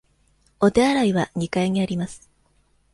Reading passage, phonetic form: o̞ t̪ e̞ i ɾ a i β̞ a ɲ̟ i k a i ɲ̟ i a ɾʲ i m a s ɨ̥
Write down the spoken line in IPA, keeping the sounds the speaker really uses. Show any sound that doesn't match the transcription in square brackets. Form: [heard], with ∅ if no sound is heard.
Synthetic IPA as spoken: o̞ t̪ e̞ [a] ɾ a i β̞ a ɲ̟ i k a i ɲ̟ i a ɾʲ i m a s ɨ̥